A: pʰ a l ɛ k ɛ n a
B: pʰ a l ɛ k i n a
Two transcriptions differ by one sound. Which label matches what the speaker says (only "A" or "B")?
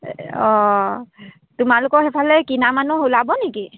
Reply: B